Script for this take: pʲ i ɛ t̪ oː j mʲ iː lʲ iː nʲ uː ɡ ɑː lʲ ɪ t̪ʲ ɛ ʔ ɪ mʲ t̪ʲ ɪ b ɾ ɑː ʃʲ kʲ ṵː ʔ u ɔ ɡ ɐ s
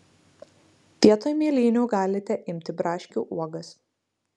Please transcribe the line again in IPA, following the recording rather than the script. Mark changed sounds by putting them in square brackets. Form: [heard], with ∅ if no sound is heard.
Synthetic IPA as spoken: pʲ i ɛ t̪ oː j mʲ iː lʲ iː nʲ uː ɡ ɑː lʲ ɪ t̪ʲ ɛ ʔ ɪ mʲ t̪ʲ ɪ b ɾ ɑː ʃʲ kʲ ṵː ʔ u ɔ ɡ ɐ s

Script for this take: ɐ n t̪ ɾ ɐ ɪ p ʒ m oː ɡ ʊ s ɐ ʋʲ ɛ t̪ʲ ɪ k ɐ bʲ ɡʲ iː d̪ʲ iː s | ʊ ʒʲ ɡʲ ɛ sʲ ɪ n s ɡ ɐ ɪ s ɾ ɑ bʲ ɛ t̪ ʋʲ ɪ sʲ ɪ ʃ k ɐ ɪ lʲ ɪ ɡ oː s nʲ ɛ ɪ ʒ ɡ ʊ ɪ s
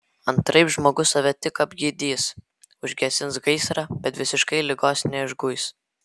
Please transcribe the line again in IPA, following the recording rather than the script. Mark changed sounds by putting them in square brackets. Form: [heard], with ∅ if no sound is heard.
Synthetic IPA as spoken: ɐ n t̪ ɾ ɐ ɪ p ʒ m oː ɡ ʊ s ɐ ʋʲ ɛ t̪ʲ ɪ k ɐ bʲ ɡʲ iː d̪ʲ iː s | ʊ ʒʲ ɡʲ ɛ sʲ ɪ n s ɡ ɐ ɪ s ɾ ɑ bʲ ɛ t̪ ʋʲ ɪ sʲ ɪ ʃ k ɐ ɪ lʲ ɪ ɡ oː s nʲ ɛ ɪ ʒ ɡ ʊ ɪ s

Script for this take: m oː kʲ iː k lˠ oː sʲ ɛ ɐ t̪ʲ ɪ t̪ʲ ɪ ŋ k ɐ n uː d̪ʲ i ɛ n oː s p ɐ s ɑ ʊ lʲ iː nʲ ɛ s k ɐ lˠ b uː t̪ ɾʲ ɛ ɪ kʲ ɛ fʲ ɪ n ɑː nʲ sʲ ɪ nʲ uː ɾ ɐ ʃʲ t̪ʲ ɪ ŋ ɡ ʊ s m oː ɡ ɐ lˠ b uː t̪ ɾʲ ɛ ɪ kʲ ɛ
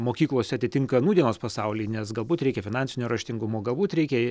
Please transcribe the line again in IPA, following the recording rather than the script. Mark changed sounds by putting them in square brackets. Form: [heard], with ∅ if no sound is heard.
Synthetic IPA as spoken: m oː kʲ iː k lˠ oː sʲ ɛ ɐ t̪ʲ ɪ t̪ʲ ɪ ŋ k ɐ n uː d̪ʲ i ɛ n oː s p ɐ s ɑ ʊ lʲ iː nʲ ɛ s [ɡ] ɐ lˠ b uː t̪ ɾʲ ɛ ɪ kʲ ɛ fʲ ɪ n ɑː nʲ sʲ ɪ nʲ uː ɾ ɐ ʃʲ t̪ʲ ɪ ŋ ɡ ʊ [∅] m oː ɡ ɐ lˠ b uː t̪ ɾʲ ɛ ɪ kʲ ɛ

